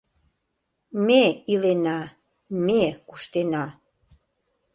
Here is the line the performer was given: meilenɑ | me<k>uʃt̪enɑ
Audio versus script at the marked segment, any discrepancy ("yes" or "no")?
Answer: no